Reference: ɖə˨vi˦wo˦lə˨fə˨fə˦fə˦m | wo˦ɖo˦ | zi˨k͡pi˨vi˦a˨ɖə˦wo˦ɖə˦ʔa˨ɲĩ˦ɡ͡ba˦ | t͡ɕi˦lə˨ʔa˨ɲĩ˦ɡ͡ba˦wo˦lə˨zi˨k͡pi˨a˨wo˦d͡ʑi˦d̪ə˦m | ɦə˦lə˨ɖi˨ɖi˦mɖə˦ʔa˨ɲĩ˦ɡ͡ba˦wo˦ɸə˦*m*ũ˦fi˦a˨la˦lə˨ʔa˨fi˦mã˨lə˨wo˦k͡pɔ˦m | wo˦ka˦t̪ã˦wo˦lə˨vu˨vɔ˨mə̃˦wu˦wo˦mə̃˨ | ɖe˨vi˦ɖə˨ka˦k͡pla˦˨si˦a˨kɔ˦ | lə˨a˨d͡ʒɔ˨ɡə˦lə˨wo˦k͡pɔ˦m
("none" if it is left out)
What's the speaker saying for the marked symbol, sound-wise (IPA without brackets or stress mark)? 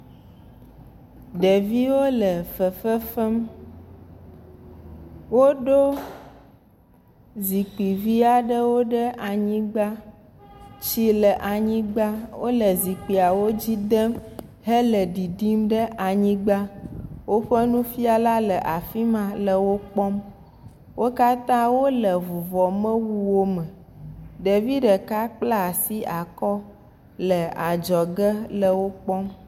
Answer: n